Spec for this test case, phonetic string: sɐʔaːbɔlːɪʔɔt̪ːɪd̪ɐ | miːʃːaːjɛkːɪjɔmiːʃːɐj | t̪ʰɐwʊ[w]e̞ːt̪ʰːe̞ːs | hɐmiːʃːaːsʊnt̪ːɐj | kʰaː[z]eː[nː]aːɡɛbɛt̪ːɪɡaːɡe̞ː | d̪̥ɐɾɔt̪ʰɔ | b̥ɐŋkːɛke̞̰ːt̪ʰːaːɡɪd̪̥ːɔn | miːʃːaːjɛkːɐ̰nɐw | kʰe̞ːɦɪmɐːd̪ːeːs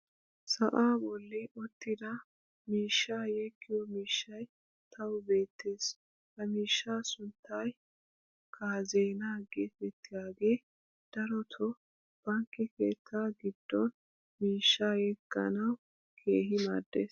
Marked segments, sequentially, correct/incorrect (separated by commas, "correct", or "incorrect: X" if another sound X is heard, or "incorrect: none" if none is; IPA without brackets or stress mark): incorrect: b, correct, incorrect: n